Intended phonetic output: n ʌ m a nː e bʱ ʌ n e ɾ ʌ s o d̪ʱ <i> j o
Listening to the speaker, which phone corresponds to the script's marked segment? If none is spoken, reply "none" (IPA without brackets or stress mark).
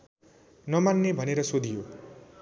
i